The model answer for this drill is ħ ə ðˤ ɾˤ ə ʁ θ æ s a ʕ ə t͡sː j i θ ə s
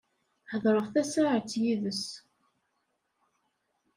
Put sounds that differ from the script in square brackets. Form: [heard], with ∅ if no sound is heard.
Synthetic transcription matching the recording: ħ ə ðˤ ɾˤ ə ʁ θ æ s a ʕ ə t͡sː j i [ð] ə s